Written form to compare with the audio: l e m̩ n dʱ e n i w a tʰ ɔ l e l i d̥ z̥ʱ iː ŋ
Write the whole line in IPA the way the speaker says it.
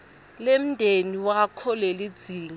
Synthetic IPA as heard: l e m̩ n dʱ e n i w a kʰ ɔ l e l i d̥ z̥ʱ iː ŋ